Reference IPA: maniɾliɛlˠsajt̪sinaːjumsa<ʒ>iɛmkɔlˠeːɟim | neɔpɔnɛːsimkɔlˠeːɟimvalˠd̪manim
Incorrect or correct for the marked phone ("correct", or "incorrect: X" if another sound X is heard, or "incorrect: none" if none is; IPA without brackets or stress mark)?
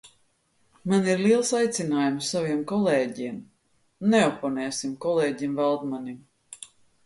incorrect: v